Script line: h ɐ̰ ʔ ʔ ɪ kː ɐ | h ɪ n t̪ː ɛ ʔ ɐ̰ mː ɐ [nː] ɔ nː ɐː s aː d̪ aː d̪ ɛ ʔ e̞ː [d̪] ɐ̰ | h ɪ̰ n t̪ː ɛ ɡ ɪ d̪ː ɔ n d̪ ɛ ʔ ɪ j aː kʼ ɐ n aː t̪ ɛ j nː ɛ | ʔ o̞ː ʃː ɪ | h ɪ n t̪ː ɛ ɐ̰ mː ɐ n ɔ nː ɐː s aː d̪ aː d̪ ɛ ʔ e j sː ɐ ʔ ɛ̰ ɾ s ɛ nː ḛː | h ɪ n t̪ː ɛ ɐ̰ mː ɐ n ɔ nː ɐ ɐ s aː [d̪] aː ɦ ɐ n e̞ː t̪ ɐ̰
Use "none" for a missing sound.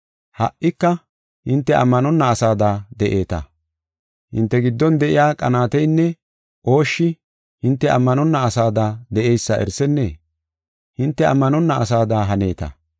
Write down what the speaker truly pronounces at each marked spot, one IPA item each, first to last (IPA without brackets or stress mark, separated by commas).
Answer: n, t̪, d̪